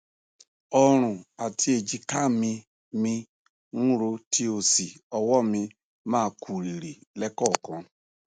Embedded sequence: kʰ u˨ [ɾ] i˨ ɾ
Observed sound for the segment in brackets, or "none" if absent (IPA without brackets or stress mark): ɾ